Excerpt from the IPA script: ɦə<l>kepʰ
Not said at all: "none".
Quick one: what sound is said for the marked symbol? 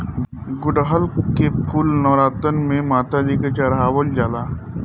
l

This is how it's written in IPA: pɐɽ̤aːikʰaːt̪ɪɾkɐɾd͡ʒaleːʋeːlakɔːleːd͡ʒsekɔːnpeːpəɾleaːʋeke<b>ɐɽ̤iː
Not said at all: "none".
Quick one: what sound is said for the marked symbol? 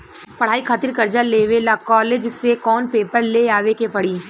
p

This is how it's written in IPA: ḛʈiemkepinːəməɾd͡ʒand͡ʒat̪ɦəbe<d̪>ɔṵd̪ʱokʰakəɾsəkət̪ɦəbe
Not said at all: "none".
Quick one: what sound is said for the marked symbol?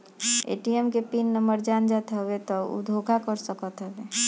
t̪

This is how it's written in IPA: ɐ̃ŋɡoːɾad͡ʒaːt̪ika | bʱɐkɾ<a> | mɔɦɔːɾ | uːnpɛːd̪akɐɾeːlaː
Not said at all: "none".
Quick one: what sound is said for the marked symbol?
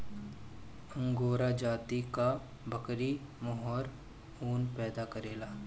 i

